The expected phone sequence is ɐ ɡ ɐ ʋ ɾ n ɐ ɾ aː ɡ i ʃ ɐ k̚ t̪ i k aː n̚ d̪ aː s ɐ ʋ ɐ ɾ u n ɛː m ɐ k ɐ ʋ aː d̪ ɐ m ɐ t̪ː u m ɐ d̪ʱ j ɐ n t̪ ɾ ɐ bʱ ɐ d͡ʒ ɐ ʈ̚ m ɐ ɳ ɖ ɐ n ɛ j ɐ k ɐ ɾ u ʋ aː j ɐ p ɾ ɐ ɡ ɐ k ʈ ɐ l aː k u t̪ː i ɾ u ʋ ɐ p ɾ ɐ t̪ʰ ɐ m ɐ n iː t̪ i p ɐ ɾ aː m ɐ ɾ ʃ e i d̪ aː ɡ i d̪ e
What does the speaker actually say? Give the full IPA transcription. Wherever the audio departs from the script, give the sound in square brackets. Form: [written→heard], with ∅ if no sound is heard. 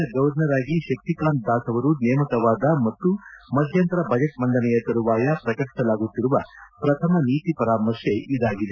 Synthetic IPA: ɐ ɡ ɐ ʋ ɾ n ɐ ɾ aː ɡ i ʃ ɐ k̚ t̪ i k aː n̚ d̪ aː s ɐ ʋ ɐ ɾ u n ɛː m ɐ k ɐ ʋ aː d̪ ɐ m ɐ t̪ː u m ɐ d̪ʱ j ɐ n t̪ ɾ ɐ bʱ ɐ d͡ʒ ɐ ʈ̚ m ɐ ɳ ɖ ɐ n ɛ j ɐ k ɐ ɾ u ʋ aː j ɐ p ɾ ɐ [ɡ→k] ɐ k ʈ ɐ l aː [k→ɡ] u t̪ː i ɾ u ʋ ɐ p ɾ ɐ t̪ʰ ɐ m ɐ n iː t̪ i p ɐ ɾ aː m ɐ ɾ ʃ e i d̪ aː ɡ i d̪ e